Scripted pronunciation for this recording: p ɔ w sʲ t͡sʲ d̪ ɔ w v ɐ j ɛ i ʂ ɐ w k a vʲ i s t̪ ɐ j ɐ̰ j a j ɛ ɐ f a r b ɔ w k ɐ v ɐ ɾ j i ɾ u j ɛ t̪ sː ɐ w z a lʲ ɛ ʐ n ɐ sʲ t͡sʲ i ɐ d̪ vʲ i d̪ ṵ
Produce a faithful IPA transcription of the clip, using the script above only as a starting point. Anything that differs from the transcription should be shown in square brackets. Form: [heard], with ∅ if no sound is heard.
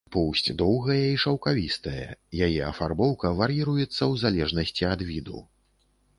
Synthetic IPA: p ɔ w sʲ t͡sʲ d̪ ɔ w [ɣ] ɐ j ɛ i ʂ ɐ w k a vʲ i s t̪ ɐ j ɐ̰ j a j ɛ ɐ f a r b ɔ w k ɐ v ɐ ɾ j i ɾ u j ɛ t̪ sː ɐ w z a lʲ ɛ ʐ n ɐ sʲ t͡sʲ i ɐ d̪ vʲ i d̪ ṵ